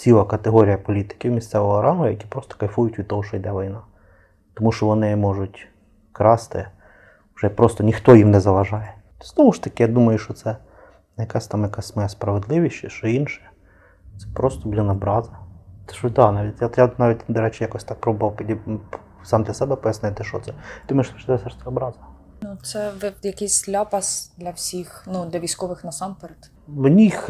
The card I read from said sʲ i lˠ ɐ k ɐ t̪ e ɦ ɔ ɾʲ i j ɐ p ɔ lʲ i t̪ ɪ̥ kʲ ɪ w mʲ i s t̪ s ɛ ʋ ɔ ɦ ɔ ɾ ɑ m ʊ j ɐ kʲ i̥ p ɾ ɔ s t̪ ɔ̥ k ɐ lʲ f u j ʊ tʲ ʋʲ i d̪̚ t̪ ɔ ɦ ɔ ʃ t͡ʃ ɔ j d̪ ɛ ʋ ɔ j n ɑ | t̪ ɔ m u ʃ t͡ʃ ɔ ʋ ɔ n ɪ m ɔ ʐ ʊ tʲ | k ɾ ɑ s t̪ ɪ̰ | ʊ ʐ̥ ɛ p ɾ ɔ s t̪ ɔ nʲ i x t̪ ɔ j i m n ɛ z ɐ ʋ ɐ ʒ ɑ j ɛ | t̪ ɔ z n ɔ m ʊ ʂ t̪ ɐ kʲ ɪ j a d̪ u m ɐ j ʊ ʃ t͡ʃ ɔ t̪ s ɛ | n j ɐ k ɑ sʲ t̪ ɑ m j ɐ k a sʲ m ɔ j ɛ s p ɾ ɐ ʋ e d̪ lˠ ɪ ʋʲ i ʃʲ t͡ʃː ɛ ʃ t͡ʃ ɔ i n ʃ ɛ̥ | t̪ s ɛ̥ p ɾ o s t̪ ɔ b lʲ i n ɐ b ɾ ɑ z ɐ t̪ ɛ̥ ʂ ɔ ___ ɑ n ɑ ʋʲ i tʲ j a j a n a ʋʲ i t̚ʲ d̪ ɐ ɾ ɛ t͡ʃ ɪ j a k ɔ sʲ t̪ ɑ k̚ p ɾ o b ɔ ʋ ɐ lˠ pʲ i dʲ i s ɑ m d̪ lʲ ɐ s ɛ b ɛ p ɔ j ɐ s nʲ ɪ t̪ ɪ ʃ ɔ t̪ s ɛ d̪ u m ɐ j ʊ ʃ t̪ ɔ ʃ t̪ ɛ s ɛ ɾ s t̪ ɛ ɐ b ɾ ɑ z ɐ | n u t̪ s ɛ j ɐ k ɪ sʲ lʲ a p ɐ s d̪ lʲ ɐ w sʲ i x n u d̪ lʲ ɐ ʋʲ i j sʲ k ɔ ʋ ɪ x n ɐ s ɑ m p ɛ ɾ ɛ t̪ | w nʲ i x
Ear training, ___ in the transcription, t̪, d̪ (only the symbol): d̪